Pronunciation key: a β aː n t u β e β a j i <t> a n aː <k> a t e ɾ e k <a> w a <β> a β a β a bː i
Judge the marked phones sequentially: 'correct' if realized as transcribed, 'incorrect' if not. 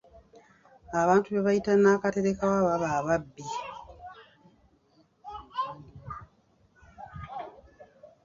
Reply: correct, correct, correct, correct

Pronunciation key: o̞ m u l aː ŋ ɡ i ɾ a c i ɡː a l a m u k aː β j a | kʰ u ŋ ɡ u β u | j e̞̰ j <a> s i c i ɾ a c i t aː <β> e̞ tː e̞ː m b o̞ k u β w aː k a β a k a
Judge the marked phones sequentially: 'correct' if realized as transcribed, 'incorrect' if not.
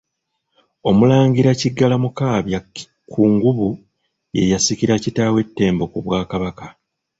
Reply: correct, incorrect

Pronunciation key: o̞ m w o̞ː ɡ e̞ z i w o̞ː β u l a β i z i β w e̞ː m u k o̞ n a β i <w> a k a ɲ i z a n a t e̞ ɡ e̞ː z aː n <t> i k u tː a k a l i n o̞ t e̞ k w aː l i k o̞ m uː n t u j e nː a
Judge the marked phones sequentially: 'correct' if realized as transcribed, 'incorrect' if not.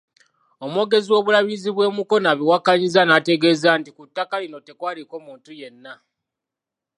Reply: correct, correct

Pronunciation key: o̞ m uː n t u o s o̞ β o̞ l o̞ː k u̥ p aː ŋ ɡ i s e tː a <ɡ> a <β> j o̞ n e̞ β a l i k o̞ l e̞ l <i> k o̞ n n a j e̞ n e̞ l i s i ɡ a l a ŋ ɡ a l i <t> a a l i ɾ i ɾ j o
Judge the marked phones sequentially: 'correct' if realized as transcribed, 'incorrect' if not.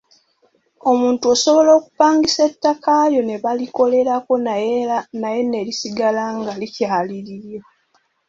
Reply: incorrect, incorrect, incorrect, incorrect

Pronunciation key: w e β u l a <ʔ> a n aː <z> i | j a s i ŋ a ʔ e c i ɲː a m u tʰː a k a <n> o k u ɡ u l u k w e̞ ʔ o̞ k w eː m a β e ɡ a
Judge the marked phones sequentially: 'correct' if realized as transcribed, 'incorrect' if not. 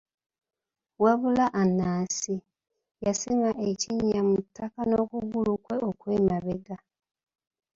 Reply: correct, incorrect, correct

